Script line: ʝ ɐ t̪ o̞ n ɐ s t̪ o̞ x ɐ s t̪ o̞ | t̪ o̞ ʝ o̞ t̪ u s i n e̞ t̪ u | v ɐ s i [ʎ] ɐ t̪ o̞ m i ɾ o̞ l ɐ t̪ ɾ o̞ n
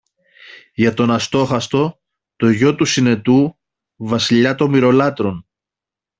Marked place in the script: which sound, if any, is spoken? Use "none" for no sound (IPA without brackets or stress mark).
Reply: ʎ